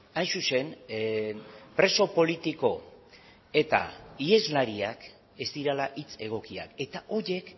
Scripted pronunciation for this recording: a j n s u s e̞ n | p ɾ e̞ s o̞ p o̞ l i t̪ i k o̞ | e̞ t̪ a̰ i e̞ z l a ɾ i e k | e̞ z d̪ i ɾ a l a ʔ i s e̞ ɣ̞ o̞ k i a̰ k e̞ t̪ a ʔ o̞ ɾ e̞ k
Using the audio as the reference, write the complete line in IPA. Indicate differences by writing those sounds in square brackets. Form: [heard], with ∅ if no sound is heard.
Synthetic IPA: a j n s u s e̞ n | p ɾ e̞ s o̞ p o̞ l i t̪ i k o̞ | e̞ t̪ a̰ i e̞ z l a ɾ i [a] k | e̞ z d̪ i ɾ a l a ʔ i [t͡s] e̞ ɣ̞ o̞ k i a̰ k e̞ t̪ a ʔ o̞ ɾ e̞ k